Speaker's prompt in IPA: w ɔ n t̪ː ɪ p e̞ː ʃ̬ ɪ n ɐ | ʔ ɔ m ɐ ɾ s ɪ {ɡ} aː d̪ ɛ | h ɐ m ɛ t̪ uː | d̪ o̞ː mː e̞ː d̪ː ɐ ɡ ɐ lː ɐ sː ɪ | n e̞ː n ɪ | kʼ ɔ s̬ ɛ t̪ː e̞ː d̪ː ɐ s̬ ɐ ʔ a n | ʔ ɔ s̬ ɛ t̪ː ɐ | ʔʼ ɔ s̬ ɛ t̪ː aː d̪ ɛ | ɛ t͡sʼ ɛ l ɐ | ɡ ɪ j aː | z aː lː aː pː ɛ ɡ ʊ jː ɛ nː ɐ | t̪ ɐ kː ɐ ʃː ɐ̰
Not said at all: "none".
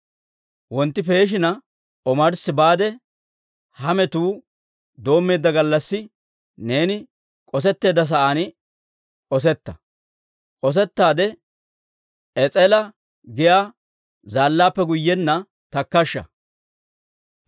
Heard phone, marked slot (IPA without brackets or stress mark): b